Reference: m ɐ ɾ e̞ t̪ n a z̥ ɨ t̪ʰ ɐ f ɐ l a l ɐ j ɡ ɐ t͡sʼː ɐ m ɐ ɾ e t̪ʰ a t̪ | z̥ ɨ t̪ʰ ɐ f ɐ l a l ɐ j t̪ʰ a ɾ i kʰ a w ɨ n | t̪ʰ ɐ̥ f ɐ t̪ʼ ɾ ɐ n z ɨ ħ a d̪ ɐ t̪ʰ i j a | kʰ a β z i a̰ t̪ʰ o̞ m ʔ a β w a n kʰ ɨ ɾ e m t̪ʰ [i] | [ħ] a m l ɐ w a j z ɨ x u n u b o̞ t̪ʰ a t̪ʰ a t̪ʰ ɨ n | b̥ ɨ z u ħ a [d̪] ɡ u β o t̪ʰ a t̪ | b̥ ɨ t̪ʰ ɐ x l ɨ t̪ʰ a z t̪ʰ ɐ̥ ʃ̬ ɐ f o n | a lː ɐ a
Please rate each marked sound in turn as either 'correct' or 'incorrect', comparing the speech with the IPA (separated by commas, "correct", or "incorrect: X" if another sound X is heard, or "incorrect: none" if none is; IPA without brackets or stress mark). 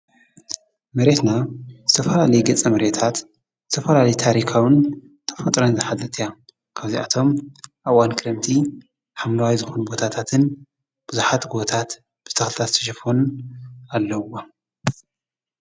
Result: correct, correct, incorrect: t̪